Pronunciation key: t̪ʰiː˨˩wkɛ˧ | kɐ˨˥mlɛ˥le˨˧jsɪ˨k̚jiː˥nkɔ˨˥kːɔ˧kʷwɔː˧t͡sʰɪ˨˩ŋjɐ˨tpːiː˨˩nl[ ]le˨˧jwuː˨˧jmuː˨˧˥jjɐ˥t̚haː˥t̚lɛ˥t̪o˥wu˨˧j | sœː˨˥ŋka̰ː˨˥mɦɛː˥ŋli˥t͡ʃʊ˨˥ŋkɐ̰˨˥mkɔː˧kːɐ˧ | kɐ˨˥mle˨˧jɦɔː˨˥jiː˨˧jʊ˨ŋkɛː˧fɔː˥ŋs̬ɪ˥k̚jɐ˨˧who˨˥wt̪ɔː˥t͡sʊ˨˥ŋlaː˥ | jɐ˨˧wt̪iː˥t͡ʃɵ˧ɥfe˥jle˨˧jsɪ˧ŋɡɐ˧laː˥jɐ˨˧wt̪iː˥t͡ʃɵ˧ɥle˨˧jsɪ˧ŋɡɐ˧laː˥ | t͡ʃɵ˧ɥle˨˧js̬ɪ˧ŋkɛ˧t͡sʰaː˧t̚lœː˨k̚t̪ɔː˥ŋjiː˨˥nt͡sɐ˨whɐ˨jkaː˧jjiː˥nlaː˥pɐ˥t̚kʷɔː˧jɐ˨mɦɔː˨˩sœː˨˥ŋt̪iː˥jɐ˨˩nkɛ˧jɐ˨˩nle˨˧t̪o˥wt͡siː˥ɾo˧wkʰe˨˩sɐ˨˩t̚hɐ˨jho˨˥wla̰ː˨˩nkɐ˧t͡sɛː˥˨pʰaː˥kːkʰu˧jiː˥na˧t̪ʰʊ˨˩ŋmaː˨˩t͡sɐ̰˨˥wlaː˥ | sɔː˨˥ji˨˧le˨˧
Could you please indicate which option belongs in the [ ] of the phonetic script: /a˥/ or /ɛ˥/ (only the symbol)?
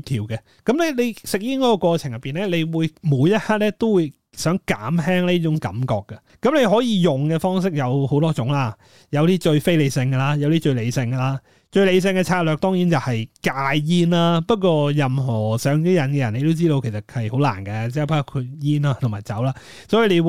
ɛ˥